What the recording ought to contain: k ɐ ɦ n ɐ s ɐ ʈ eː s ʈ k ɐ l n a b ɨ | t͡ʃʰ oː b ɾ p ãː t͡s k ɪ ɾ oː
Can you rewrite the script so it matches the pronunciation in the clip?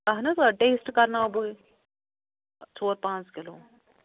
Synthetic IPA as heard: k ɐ ɦ n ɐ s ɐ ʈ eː s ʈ k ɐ ɾ n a b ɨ | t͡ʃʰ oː ɾ p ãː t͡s k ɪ l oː